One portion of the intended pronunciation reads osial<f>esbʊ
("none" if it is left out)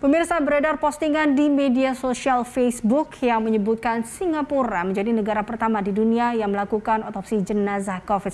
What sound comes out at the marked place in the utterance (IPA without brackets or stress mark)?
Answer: f